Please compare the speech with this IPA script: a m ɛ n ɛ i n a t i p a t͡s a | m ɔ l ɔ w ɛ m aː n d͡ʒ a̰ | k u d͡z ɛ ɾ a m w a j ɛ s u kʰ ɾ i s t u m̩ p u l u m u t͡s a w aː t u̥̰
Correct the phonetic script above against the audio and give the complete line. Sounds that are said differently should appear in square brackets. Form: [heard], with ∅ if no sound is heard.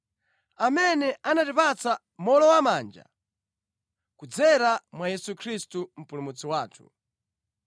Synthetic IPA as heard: a m ɛ n ɛ [a] n a t i p a t͡s a | m ɔ l ɔ w [a] m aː n d͡ʒ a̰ | k u d͡z ɛ ɾ a m w a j ɛ s u kʰ ɾ i s t u m̩ p u l u m u t͡s [i] w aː [tʰ] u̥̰